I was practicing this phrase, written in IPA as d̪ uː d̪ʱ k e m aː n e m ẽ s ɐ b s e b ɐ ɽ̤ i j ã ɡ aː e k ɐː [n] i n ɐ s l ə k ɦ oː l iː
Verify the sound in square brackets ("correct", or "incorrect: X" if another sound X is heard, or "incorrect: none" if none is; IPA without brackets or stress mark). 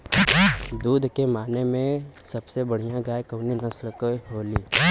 correct